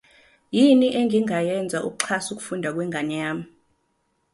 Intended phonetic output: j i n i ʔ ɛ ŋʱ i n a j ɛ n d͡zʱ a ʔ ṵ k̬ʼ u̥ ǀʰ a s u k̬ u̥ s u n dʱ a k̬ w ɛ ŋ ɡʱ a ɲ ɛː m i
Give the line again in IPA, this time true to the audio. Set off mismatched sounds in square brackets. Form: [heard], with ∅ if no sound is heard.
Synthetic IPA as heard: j i n i ʔ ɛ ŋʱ i [ŋ] a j ɛ n d͡zʱ a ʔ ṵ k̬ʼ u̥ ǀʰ a s u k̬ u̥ [f] u n dʱ a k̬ w ɛ ŋ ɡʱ a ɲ [aː] m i